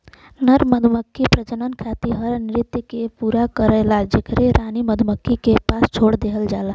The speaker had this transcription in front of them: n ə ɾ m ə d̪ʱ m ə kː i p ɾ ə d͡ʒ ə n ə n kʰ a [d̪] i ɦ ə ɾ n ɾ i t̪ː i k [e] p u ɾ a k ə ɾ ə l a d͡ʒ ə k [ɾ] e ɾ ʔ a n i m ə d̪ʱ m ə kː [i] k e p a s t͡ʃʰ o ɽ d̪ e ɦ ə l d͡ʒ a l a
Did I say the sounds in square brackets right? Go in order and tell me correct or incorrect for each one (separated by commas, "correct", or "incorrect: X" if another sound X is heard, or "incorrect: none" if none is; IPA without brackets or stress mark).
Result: incorrect: t̪, correct, correct, correct